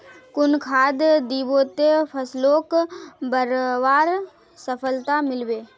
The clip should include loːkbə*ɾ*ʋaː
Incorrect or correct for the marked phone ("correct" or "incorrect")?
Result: correct